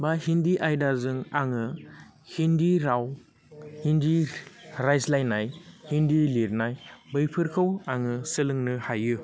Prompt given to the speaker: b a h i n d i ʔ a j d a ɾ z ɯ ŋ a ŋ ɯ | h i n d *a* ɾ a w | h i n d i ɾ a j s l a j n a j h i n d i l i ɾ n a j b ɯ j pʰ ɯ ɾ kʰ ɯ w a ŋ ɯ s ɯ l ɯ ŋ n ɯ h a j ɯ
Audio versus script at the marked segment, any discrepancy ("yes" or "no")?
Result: yes